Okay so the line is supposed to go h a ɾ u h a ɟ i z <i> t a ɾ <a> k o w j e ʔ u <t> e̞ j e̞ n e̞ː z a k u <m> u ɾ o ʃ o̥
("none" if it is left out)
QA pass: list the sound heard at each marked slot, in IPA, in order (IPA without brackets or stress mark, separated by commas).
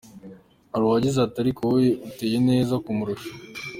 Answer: a, i, t, m